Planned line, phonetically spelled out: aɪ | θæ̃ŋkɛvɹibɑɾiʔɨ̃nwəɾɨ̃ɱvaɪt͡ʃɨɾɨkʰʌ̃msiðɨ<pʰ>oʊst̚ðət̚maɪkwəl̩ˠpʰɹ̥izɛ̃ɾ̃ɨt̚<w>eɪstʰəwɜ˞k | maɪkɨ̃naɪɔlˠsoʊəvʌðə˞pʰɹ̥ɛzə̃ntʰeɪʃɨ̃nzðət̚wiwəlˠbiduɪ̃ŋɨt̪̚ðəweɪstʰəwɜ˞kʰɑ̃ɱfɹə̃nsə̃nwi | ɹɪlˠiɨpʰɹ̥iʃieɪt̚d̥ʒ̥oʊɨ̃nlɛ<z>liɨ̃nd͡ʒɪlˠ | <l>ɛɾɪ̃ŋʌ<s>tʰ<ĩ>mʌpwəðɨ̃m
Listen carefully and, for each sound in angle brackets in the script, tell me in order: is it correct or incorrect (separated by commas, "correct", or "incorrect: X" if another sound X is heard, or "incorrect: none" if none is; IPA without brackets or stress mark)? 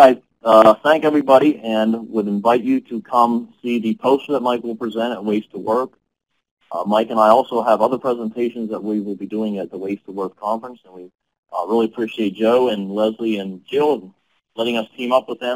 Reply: correct, correct, correct, correct, correct, correct